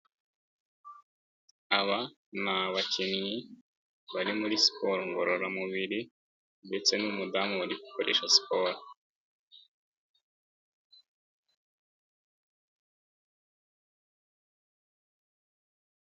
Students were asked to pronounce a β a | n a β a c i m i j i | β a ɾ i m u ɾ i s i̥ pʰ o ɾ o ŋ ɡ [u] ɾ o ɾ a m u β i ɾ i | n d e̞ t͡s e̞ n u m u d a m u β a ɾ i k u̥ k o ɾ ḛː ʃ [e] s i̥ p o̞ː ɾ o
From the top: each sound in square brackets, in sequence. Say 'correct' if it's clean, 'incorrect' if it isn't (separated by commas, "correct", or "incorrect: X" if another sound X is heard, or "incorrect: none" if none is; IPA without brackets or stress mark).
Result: incorrect: o, incorrect: a